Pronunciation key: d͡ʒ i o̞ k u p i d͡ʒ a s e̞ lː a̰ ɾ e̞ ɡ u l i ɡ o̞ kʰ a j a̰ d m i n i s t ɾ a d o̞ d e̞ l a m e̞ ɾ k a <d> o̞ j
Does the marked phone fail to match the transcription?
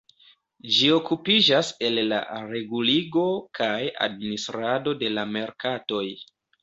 yes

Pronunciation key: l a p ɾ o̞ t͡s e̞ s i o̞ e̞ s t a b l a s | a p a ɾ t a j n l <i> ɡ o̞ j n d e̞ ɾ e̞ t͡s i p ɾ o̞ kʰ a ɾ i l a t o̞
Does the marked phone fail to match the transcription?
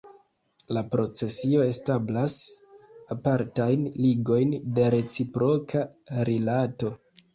no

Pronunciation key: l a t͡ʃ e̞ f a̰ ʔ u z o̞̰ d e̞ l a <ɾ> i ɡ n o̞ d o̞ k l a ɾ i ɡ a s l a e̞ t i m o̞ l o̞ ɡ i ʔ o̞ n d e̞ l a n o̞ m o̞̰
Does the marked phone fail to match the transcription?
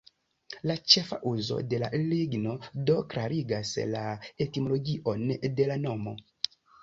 yes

